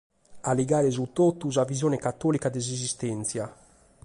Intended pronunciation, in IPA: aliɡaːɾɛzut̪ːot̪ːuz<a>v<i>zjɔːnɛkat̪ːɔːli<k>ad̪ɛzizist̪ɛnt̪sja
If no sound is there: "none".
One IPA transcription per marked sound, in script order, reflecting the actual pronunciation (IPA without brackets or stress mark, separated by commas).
a, i, k